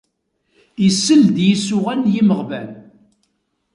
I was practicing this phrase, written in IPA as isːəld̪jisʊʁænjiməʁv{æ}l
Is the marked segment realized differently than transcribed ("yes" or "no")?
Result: no